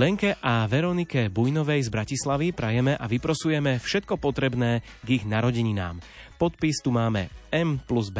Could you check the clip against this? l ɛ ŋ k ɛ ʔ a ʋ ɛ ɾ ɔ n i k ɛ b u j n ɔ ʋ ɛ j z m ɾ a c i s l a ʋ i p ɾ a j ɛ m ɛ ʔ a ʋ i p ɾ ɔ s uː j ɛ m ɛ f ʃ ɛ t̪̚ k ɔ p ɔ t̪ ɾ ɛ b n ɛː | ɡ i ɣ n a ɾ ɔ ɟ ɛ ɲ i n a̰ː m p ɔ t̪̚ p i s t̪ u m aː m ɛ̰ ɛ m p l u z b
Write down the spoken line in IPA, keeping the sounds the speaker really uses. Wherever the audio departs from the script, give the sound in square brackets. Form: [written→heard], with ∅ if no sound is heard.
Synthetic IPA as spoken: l ɛ ŋ k ɛ ʔ a ʋ ɛ ɾ ɔ n i k ɛ b u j n ɔ ʋ ɛ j z [m→b] ɾ a c i s l a ʋ i p ɾ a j ɛ m ɛ ʔ a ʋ i p ɾ ɔ s [uː→u] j ɛ m ɛ f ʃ ɛ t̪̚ k ɔ p ɔ t̪ ɾ ɛ b n ɛː | ɡ i ɣ n a ɾ ɔ ɟ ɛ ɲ i n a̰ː m p ɔ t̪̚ p i s t̪ u m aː m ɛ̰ ɛ m p l u z b